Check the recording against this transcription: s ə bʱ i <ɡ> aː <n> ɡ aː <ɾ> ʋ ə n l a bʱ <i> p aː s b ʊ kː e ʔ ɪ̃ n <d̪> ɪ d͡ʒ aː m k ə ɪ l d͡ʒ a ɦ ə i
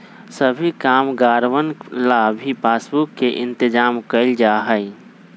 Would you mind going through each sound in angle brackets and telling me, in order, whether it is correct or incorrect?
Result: incorrect: k, incorrect: m, correct, correct, incorrect: t̪

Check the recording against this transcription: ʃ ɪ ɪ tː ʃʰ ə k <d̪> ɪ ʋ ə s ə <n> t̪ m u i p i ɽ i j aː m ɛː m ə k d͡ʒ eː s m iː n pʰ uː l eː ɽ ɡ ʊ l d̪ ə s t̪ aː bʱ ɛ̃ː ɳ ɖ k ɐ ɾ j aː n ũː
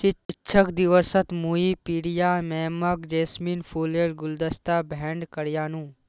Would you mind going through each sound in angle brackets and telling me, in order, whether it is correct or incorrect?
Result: correct, incorrect: none

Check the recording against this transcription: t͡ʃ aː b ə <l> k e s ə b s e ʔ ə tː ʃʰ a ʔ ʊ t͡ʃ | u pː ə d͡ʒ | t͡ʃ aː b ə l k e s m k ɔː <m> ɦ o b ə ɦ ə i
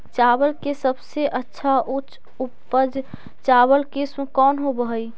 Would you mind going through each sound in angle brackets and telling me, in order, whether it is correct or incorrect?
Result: correct, incorrect: n

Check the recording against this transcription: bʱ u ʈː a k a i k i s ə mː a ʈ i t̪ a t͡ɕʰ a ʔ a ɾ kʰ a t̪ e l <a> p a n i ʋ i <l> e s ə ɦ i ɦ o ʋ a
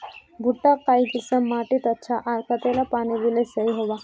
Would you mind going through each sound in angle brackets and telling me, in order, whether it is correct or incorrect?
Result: correct, correct

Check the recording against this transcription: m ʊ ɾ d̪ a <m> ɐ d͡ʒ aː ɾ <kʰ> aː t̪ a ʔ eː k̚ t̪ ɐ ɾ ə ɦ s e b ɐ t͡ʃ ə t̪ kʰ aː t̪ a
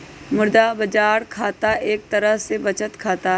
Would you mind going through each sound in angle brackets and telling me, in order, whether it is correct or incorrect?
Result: incorrect: b, correct

